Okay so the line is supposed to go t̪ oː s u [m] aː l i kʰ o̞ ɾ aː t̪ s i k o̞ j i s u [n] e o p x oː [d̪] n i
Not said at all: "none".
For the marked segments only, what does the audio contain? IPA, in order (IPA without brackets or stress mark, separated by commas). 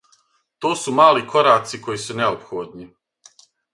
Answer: m, n, d̪